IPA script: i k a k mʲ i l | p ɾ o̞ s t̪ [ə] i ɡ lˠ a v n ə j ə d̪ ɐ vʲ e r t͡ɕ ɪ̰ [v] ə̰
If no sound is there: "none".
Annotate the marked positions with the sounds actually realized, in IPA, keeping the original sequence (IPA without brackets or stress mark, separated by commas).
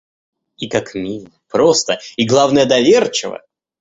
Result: ə, v